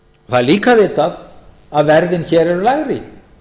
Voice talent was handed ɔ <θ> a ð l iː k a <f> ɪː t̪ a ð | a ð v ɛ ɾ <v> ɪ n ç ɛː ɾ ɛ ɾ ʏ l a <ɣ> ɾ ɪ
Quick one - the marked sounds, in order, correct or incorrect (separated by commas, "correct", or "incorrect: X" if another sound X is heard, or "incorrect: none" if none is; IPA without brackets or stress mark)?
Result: correct, incorrect: v, incorrect: ð, correct